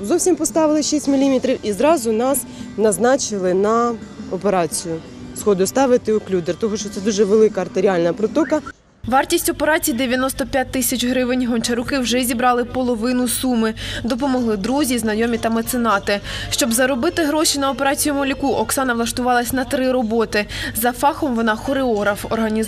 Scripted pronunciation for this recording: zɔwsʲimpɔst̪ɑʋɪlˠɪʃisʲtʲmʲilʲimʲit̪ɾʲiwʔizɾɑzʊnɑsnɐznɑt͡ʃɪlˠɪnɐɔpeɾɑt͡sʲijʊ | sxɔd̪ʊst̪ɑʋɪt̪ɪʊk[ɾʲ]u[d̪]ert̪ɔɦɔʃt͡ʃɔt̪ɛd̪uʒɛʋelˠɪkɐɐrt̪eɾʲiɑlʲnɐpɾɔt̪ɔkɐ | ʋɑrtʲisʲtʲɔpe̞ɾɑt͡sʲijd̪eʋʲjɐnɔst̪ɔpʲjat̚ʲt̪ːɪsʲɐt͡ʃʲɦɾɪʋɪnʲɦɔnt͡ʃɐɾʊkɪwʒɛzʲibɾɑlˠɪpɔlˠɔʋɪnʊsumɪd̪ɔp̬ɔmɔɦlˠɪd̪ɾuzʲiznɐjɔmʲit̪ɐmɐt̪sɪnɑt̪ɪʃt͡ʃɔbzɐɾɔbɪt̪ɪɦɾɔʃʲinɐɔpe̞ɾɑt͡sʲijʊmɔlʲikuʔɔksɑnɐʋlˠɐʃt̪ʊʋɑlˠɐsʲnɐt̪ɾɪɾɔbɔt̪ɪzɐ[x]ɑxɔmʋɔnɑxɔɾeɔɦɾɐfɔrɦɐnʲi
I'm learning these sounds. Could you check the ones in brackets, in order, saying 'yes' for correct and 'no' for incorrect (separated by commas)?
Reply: no, yes, no